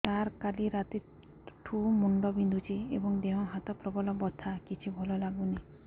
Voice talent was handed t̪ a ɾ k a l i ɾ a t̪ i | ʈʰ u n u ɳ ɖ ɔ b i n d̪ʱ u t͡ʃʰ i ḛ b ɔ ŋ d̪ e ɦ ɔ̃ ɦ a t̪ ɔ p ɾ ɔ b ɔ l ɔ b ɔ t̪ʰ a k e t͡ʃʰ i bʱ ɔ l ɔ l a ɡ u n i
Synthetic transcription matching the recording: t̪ a ɾ k a l i ɾ a t̪ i | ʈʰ u m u ɳ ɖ ɔ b i n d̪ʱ u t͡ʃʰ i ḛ b ɔ ŋ d̪ e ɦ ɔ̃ ɦ a t̪ ɔ p ɾ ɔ b ɔ l ɔ b ɔ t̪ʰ a k i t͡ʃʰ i bʱ ɔ l ɔ l a ɡ u n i

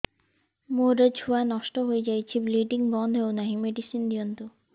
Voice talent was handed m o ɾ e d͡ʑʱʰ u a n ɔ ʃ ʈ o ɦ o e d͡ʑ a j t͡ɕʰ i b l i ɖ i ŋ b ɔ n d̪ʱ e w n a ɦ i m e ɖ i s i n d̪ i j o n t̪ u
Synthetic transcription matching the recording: m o ɾ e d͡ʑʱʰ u a n ɔ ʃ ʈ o ɦ o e d͡ʑ a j t͡ɕʰ i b l i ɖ i ŋ b ɔ n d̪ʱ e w n a ɦ i m e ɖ i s i n d̪ i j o n t̪ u

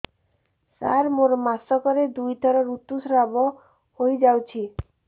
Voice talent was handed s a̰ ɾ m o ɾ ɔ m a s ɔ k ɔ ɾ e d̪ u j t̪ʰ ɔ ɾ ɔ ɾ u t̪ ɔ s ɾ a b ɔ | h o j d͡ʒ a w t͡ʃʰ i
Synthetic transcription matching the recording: s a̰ ɾ m o ɾ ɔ m a s ɔ k ɔ ɾ e d̪ u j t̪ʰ ɔ ɾ ɔ ɾ u t̪ u s ɾ a b ɔ | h o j d͡ʒ a w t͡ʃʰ i

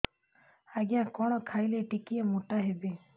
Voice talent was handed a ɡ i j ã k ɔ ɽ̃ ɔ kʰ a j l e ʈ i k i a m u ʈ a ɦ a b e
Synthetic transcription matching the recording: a ɡ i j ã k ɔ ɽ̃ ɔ kʰ a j l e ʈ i k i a m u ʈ a ɦ e b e

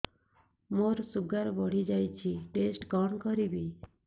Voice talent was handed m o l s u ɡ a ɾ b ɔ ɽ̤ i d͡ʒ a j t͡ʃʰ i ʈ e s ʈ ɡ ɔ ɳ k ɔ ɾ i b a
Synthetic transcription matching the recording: m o ɾ s u ɡ a ɾ b ɔ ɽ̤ i d͡ʒ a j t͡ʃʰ i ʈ e s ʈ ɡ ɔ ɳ k ɔ ɾ i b i

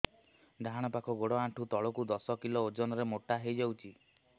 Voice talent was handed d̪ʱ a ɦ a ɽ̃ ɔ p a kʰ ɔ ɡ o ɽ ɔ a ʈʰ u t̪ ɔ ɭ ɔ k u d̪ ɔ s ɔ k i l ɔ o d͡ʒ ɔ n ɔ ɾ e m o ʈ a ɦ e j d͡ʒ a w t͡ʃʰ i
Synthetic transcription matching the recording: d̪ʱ a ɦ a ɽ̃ ɔ p a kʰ ɔ ɡ o ɽ ɔ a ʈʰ u t̪ ɔ ɭ ɔ k u d̪ ɔ s ɔ k i l ɔ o d͡ʒ ɔ n ɔ ɾ e m o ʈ a ɦ e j d͡ʒ a w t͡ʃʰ i

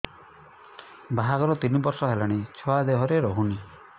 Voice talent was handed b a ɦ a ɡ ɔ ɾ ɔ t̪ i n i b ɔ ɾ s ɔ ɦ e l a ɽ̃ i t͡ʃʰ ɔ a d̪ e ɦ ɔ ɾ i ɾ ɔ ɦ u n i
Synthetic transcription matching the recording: b a ɦ a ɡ ɔ ɾ ɔ t̪ i n i b ɔ ɾ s ɔ ɦ e l a ɽ̃ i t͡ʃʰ ɔ a d̪ e ɦ ɔ ɾ e ɾ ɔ ɦ u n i

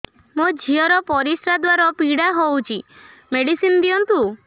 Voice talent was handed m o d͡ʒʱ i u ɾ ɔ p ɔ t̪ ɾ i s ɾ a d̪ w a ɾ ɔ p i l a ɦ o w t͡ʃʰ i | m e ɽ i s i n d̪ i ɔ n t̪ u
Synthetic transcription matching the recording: m o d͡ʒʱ i ɔ ɾ ɔ p ɔ ɾ i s ɾ a d̪ w a ɾ ɔ p i ɽ a ɦ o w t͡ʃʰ i | m e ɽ i s i n d̪ i ɔ n t̪ u

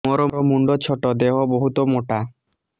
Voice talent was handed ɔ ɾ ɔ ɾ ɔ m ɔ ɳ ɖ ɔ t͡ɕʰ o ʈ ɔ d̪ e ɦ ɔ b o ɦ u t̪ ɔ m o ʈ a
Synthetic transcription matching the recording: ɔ ɾ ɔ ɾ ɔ m u ɳ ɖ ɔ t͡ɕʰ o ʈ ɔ d̪ e ɦ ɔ b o ɦ u t̪ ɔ m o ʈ a

